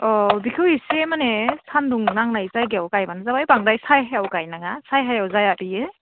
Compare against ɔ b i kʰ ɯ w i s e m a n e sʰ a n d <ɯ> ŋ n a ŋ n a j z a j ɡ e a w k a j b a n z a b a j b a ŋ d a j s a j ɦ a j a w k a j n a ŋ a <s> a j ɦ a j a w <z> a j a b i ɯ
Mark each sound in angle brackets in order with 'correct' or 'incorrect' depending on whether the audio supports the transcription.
incorrect, correct, correct

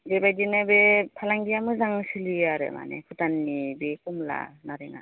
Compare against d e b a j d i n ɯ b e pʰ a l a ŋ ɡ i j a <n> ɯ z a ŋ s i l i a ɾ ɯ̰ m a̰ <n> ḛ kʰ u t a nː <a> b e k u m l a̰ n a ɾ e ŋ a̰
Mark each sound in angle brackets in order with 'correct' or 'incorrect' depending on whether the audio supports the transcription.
incorrect, correct, incorrect

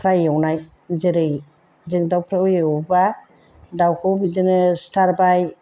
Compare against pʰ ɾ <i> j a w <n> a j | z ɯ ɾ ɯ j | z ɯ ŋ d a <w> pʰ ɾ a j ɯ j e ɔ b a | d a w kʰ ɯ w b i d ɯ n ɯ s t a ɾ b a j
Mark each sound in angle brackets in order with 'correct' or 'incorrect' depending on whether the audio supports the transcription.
incorrect, correct, correct

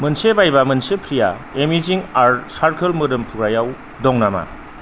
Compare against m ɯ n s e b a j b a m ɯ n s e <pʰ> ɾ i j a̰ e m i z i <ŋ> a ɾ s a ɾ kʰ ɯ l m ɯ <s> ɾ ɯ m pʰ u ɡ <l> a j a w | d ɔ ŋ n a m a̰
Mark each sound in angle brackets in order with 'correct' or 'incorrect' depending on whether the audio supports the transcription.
correct, correct, incorrect, incorrect

